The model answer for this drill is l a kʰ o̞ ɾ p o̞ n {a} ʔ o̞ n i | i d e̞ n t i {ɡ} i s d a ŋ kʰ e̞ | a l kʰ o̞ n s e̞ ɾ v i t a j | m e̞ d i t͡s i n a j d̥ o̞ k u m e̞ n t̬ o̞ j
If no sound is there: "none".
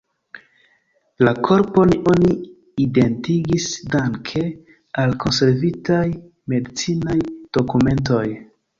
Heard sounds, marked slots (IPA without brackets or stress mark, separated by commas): i, ɡ